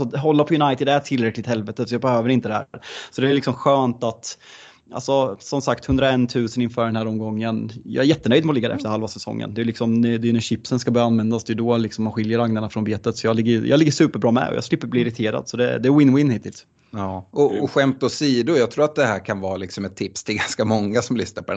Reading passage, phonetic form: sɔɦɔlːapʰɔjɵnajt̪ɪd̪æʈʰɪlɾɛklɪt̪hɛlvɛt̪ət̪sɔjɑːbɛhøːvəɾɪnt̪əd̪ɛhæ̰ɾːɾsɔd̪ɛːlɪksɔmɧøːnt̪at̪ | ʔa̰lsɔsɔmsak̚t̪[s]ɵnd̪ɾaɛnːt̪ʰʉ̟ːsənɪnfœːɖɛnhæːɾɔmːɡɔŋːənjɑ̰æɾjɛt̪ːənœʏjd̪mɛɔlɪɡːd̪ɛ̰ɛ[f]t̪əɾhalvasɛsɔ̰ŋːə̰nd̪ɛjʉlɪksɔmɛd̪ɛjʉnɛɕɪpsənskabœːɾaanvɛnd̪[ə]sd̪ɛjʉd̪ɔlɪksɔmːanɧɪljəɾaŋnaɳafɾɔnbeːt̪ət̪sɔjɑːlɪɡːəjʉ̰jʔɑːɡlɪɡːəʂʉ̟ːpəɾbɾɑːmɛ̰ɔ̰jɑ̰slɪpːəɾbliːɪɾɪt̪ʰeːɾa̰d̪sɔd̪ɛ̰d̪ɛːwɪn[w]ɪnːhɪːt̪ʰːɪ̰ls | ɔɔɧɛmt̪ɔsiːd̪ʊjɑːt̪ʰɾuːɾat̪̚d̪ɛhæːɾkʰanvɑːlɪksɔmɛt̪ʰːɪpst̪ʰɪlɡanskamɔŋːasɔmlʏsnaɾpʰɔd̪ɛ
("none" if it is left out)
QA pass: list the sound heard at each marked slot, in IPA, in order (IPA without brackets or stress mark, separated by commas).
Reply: h, f, a, w